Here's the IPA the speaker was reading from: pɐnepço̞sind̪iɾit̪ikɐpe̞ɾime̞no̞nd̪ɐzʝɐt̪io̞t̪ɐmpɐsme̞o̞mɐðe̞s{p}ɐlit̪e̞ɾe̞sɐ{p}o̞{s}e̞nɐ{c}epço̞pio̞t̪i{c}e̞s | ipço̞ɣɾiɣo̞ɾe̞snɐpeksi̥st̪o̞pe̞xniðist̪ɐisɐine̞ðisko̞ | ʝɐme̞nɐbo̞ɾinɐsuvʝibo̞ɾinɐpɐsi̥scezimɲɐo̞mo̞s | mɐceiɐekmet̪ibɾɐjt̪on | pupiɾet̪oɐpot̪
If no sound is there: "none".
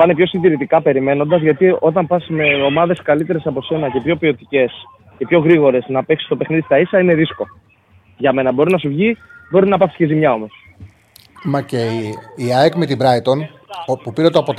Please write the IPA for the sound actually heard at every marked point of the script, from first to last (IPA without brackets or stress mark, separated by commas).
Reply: k, p, s, c, c